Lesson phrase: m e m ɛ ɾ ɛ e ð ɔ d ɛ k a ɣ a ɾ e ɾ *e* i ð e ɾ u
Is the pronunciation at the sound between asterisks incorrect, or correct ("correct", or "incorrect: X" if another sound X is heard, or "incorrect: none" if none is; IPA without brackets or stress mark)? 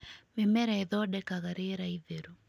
incorrect: a